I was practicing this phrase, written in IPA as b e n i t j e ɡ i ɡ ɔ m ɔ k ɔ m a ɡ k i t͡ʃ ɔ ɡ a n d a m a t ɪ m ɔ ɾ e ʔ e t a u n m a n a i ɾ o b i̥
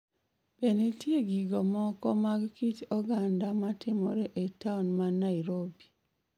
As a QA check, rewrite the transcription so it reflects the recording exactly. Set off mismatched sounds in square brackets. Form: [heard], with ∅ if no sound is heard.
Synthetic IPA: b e n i t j e ɡ i ɡ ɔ m ɔ k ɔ m a ɡ k i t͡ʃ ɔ ɡ a n d a m a t ɪ m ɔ ɾ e ʔ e t a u n m a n a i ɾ o b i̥